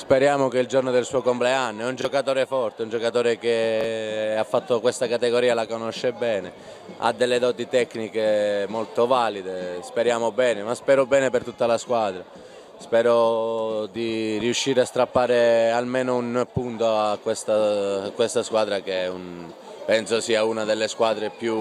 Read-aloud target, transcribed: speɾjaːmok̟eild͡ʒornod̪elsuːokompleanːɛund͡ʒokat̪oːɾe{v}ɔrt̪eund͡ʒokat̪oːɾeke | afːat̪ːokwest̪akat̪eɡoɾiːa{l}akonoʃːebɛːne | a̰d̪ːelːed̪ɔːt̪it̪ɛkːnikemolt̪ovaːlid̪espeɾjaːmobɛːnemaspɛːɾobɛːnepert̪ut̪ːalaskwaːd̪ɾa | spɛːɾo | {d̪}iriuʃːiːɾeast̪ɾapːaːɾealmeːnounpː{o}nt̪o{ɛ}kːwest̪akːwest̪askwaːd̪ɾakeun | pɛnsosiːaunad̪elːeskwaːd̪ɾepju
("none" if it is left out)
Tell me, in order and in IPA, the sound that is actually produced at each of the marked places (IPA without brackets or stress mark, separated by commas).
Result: f, l, d̪, u, a